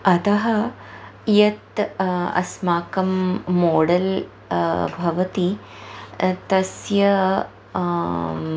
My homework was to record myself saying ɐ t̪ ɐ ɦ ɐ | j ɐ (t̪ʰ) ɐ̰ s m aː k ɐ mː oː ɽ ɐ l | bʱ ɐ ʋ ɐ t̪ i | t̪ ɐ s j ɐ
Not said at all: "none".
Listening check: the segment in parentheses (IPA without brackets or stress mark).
t̪